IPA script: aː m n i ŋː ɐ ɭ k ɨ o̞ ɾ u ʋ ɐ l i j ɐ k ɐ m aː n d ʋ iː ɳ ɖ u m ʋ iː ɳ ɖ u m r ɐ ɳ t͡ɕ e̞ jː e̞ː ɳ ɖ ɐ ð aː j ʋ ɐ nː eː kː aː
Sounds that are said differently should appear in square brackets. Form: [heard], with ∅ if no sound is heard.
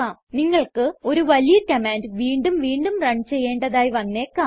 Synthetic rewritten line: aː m n i ŋː ɐ ɭ k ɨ o̞ ɾ u ʋ ɐ l i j ɐ k ɐ m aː n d ʋ iː ɳ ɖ u m ʋ iː ɳ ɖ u m r ɐ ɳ t͡ɕ e̞ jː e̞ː ɳ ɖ ɐ ð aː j ʋ ɐ nː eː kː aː